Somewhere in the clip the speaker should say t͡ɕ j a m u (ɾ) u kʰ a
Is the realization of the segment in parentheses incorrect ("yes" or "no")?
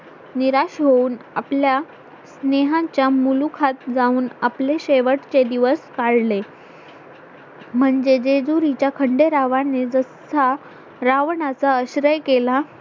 yes